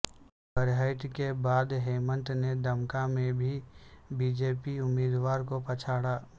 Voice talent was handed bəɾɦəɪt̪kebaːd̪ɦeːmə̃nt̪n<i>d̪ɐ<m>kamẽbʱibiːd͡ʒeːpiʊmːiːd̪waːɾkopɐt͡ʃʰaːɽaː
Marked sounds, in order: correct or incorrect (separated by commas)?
incorrect, correct